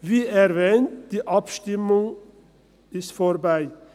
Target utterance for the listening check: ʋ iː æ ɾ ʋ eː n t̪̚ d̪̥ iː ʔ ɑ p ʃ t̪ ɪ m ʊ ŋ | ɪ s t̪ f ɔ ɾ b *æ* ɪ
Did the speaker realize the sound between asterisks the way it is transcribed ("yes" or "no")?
yes